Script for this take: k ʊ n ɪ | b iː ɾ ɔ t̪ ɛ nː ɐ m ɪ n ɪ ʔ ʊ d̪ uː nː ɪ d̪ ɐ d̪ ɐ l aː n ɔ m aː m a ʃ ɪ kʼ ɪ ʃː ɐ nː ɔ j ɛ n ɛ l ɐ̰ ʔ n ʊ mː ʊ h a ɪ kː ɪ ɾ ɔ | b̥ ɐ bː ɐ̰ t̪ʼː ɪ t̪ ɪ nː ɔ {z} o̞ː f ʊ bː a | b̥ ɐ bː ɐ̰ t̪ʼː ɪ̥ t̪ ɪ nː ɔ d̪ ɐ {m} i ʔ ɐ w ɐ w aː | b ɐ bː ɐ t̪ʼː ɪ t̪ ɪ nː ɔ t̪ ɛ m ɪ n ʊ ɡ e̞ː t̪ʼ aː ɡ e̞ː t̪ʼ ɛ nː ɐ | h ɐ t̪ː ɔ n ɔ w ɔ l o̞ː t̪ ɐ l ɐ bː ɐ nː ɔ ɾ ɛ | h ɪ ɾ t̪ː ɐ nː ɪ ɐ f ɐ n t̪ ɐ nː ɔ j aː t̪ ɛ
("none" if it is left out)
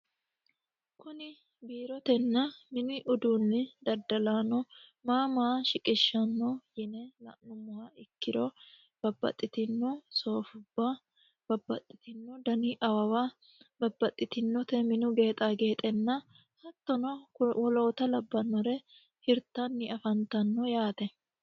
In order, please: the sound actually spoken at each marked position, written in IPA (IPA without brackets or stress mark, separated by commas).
s, n